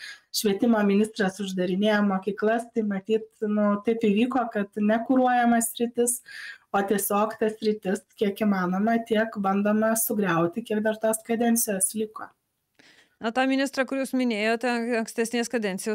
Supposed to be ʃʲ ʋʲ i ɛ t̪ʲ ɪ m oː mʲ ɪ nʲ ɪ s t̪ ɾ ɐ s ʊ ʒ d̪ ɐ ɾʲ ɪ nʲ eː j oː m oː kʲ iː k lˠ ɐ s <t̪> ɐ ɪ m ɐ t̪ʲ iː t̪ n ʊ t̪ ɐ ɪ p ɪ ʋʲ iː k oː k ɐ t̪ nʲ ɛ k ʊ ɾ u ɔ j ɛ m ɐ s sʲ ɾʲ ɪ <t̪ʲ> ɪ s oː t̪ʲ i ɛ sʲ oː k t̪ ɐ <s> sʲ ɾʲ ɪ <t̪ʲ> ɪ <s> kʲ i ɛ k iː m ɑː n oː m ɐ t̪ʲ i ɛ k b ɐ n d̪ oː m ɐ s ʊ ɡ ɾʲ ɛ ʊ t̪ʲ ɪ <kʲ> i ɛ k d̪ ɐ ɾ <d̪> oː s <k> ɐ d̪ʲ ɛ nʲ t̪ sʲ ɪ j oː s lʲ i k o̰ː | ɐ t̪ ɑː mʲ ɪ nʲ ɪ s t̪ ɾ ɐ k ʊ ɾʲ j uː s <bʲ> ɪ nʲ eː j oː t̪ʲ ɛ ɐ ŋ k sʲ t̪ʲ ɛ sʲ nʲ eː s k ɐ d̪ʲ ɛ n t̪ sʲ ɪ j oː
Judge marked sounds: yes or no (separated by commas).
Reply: yes, yes, yes, yes, yes, yes, no, yes, no